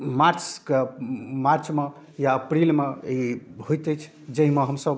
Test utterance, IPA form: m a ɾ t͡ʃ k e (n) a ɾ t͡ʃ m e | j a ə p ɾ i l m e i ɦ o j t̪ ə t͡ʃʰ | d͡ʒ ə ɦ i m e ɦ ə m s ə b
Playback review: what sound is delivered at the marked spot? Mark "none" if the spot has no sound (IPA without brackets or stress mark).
m